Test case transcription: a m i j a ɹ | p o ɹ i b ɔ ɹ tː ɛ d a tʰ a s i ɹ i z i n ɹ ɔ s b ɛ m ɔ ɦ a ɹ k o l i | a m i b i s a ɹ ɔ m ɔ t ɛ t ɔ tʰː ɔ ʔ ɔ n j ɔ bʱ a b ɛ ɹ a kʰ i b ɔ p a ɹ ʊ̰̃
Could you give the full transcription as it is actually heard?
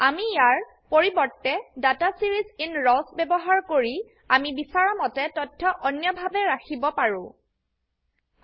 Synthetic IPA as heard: a m i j a ɹ | p o ɹ i b ɔ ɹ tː ɛ d a t a s i ɹ i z i n ɹ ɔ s b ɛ b ɔ ɦ a ɹ k o ɹ i | a m i b i s a ɹ ɔ m ɔ t ɛ t ɔ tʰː ɔ ʔ ɔ n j ɔ bʱ a b ɛ ɹ a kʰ i b ɔ p a ɹ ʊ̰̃